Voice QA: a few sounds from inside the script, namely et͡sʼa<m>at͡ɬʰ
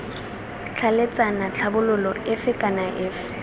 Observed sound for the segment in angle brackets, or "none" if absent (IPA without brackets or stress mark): n